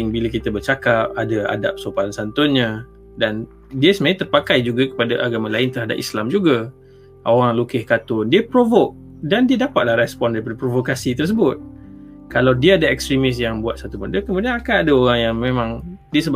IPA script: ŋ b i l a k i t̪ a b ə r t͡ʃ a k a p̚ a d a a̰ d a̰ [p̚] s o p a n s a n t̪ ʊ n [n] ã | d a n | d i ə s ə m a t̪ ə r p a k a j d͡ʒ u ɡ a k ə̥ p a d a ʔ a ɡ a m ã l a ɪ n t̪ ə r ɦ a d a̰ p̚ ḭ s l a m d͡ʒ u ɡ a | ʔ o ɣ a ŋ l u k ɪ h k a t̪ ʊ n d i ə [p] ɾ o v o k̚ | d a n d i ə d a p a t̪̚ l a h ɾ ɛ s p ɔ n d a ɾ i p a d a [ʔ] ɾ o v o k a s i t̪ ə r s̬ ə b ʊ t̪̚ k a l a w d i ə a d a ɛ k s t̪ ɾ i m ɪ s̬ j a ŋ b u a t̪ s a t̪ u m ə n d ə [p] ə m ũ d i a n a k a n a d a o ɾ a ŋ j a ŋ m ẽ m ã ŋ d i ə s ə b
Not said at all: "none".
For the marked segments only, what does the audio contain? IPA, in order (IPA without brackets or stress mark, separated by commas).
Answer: p̚, ɲ, p, p, k